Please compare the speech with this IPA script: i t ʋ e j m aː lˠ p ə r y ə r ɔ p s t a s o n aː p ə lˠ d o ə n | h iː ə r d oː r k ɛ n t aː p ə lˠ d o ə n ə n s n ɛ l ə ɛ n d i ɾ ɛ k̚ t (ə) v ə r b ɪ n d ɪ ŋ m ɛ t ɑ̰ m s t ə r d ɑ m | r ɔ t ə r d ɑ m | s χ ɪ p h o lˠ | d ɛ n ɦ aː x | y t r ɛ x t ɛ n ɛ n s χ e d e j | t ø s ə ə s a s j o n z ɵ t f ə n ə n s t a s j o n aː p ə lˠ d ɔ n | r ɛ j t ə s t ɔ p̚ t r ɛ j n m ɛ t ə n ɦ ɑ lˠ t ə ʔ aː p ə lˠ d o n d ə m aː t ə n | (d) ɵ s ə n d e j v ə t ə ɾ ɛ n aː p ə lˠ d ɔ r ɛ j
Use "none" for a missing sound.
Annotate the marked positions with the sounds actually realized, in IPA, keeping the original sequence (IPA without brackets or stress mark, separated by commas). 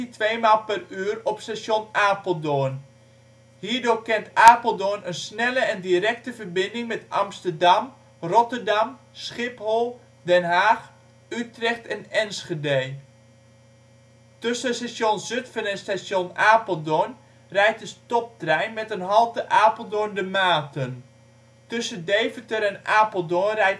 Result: ə, t